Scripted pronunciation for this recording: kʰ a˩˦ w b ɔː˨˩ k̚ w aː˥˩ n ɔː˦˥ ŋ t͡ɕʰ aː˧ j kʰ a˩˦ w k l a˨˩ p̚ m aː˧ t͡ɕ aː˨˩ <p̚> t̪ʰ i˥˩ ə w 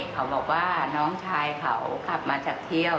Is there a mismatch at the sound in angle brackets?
yes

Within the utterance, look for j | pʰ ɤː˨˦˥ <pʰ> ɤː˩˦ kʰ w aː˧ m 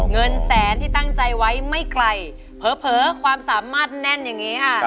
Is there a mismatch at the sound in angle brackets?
no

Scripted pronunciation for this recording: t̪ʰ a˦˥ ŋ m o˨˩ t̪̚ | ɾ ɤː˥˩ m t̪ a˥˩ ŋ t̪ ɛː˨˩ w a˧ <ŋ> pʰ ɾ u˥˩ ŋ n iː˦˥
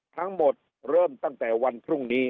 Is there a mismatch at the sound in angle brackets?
yes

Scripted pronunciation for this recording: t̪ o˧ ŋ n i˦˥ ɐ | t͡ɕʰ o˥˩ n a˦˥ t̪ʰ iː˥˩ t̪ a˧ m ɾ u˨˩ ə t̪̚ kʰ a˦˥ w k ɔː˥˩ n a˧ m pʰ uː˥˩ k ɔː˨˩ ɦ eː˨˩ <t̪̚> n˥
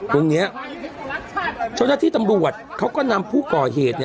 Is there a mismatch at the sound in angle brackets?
no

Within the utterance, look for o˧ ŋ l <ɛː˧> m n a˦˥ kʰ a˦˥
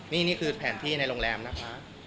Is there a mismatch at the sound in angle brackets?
no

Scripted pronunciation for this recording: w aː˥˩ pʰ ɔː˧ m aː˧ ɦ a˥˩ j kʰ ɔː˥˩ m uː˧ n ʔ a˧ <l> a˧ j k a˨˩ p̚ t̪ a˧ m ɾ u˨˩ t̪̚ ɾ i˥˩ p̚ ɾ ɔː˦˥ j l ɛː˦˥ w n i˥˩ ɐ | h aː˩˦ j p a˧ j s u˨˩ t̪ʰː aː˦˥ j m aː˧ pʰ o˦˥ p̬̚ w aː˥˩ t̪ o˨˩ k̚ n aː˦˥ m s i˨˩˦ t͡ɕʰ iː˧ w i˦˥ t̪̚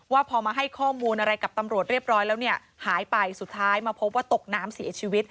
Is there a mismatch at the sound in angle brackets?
yes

